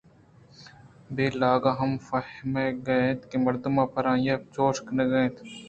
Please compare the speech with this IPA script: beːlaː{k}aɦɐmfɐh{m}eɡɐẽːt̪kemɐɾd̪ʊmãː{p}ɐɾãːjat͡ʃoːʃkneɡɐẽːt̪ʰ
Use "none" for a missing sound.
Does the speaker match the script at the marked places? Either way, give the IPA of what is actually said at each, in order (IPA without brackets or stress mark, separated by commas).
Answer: ɡ, m, p